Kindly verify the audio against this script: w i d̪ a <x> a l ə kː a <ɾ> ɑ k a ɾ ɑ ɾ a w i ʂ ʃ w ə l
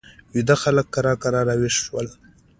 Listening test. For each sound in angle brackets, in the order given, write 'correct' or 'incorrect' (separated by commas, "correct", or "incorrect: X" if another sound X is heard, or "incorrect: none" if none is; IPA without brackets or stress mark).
correct, correct